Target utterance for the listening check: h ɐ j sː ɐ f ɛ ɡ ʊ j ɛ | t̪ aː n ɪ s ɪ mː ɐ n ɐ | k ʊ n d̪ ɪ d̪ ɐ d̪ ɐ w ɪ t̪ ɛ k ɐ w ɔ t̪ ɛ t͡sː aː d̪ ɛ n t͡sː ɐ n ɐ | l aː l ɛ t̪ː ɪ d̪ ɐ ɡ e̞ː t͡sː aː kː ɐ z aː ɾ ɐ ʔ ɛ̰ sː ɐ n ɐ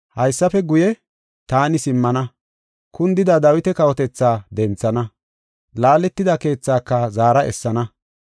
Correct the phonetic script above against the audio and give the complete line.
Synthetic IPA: h ɐ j sː ɐ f ɛ ɡ ʊ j ɛ | t̪ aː n ɪ s ɪ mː ɐ n ɐ | k ʊ n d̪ ɪ d̪ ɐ d̪ ɐ w ɪ t̪ ɛ k ɐ w ɔ t̪ ɛ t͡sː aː d̪ ɛ n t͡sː ɐ n ɐ | l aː l ɛ t̪ː ɪ d̪ ɐ k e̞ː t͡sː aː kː ɐ z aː ɾ ɐ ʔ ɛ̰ sː ɐ n ɐ